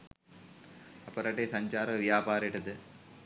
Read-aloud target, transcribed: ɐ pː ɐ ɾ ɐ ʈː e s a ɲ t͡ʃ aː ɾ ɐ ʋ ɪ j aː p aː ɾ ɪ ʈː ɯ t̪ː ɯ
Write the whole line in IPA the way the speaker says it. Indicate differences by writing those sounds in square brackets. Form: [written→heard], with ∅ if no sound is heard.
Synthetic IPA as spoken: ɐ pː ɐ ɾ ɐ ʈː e s [a→ɐ] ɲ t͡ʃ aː ɾ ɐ ʋ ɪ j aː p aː ɾ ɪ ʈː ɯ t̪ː ɯ